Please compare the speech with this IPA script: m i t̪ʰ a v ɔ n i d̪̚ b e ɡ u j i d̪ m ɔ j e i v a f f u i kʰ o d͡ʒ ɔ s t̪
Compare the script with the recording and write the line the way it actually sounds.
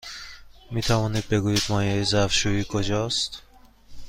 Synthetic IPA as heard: m i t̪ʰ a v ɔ n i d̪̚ b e ɡ u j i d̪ m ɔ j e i z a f ʃ u i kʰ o d͡ʒ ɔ s t̪